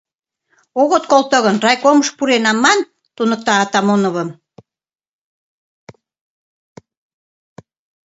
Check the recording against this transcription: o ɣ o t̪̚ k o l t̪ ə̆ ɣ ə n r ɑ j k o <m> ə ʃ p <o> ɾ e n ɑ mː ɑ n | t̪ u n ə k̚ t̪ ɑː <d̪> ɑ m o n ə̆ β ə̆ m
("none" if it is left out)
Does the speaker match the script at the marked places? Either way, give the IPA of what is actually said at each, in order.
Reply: m, u, t̪

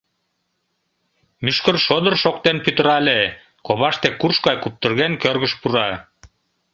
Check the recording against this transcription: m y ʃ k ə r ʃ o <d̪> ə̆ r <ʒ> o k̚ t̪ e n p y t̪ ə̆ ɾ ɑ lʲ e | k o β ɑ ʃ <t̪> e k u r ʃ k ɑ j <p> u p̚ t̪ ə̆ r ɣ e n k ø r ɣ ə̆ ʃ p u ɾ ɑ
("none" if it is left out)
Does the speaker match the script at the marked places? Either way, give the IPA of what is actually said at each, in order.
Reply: d̪, ʃ, t̪, k

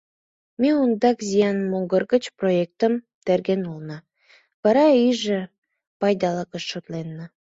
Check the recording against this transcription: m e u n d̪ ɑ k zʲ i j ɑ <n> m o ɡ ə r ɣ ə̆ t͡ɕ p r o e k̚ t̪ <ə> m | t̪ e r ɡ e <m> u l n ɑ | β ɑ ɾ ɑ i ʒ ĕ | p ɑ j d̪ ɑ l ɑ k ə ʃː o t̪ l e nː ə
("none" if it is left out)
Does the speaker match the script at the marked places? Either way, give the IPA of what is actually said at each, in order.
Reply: n, ə, n

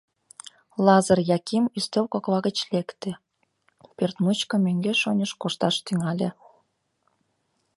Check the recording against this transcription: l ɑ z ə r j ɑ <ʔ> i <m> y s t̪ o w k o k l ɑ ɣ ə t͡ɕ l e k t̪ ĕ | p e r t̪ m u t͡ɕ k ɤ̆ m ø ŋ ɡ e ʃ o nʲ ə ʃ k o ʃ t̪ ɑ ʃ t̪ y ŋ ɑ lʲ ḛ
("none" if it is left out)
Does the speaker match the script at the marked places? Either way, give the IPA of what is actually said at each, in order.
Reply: k, m

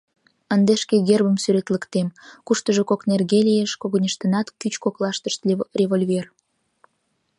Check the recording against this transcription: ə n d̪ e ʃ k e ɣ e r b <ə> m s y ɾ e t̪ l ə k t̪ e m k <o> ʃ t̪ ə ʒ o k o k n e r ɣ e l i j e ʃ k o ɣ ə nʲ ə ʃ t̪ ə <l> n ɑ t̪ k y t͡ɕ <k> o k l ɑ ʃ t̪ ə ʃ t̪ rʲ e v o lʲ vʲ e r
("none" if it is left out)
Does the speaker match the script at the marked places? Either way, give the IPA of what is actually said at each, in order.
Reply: ə, u, none, k

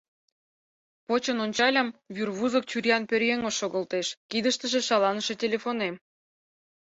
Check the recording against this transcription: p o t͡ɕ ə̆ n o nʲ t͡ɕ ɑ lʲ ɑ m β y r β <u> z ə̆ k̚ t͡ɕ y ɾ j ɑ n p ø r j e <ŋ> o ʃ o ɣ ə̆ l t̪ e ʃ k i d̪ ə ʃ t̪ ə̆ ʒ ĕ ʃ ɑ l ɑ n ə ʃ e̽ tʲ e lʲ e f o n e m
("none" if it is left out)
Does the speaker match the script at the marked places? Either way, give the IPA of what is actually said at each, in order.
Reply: u, ŋ

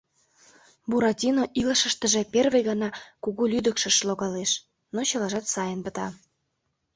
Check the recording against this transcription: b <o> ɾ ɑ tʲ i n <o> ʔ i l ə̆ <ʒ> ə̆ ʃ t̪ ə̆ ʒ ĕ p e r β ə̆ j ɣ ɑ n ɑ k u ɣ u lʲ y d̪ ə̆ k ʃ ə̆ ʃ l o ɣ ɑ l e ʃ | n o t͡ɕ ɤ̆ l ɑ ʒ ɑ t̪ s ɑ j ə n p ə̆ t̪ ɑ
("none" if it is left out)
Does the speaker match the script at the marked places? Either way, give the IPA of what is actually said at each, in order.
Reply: u, o, ʃ

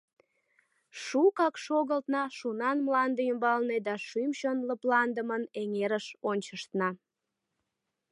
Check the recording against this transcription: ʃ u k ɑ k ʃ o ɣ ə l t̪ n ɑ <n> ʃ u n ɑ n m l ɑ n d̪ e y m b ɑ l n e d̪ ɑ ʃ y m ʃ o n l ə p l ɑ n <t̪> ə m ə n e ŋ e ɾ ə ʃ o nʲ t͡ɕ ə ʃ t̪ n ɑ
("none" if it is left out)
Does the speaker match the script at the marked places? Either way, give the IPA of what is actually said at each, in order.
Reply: none, d̪

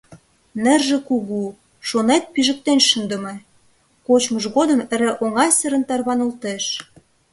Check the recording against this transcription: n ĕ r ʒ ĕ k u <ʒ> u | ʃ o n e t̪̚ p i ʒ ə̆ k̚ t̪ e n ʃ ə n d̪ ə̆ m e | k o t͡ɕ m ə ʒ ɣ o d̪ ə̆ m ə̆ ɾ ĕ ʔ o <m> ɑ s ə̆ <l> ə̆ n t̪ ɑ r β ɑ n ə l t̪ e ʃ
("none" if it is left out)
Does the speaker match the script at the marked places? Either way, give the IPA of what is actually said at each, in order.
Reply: ɣ, ŋ, ɾ

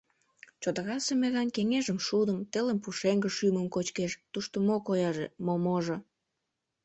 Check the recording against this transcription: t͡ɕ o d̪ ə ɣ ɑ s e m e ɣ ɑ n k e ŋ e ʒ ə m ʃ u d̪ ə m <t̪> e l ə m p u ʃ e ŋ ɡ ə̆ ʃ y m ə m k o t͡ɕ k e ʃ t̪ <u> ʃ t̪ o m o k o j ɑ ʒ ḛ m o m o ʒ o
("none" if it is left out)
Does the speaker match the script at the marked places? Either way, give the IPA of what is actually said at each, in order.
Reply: t̪, u

